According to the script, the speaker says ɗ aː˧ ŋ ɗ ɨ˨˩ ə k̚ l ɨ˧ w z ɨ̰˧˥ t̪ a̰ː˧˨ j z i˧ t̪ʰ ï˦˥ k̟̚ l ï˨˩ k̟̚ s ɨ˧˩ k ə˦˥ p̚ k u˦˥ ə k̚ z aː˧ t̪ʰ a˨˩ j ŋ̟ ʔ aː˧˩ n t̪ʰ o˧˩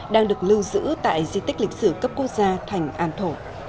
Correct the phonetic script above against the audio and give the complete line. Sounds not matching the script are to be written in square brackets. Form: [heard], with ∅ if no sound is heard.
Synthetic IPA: ɗ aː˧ ŋ ɗ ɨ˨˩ ə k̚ l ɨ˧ w z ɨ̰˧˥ t̪ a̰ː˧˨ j z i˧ [t̪] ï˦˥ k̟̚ l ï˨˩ k̟̚ s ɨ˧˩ k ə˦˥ p̚ k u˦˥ ə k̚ z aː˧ t̪ʰ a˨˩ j ŋ̟ ʔ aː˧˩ n t̪ʰ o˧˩